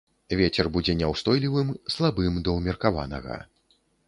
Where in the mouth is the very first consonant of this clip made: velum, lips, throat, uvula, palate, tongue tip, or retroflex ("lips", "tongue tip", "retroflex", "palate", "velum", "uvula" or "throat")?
lips